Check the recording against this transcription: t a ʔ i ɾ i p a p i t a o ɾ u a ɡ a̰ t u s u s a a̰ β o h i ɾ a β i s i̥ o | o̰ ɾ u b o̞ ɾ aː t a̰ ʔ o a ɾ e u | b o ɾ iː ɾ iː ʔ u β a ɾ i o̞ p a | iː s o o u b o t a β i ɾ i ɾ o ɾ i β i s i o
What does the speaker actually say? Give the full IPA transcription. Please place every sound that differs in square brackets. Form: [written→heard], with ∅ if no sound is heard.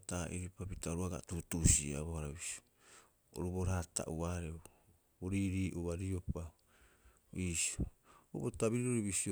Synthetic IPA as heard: t a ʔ i ɾ i p a p i t a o ɾ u a ɡ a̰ t u [s→t] u s [a→i] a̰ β o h [i→a] ɾ a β i s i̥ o | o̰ ɾ u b o̞ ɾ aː t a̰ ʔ [o→u] a ɾ e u | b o ɾ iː ɾ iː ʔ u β a ɾ i o̞ p a | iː s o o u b o t a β i ɾ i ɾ o ɾ i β i s i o